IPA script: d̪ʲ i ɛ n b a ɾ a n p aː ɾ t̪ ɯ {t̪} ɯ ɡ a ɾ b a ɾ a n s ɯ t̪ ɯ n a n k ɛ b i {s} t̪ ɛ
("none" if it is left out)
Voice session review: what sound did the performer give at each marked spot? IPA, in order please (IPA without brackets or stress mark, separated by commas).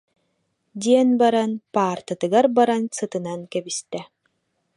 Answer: t̪, s